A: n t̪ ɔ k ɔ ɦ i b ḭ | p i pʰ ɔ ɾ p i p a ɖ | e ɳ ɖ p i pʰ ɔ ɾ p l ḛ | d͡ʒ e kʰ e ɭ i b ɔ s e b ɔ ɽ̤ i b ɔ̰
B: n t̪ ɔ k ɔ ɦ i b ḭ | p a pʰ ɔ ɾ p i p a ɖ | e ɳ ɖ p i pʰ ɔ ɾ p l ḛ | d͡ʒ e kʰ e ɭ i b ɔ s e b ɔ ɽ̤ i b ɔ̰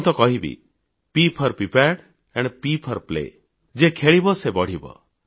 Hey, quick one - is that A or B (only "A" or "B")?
A